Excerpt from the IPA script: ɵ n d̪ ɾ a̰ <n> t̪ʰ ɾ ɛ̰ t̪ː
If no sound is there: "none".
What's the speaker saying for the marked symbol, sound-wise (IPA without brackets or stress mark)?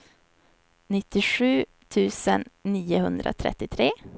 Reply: none